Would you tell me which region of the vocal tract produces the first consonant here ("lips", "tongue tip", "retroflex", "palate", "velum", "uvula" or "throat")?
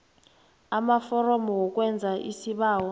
lips